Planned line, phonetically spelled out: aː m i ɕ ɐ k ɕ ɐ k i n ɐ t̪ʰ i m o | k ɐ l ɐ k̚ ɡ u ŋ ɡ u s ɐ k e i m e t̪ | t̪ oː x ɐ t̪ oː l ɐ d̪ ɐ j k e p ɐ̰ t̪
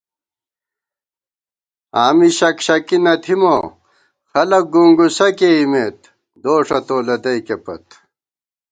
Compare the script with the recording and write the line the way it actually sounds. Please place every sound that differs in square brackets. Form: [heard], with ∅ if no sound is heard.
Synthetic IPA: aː m i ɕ ɐ k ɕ ɐ k i n ɐ t̪ʰ i m o | [x] ɐ l ɐ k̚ ɡ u ŋ ɡ u s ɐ k e i m e t̪ | [d̪] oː [ʂ] ɐ t̪ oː l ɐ d̪ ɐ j k e p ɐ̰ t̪